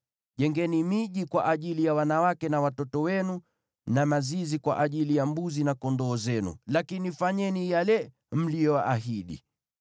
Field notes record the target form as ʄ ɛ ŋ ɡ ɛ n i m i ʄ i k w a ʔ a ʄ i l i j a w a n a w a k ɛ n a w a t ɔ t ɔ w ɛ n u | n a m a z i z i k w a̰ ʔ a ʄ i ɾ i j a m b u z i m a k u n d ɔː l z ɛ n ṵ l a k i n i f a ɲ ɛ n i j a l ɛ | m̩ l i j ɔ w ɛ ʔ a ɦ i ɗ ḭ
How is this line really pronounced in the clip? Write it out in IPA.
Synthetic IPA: ʄ ɛ ŋ ɡ ɛ n i m i ʄ i k w a ʔ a ʄ i l i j a w a n a w a k ɛ n a w a t ɔ t ɔ w ɛ n u | n a m a z i z i k w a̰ ʔ a ʄ i l i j a m b u z i n a k ɔ n d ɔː z ɛ n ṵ l a k i n i f a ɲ ɛ n i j a l ɛ | m̩ l i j ɔ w a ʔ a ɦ i ɗ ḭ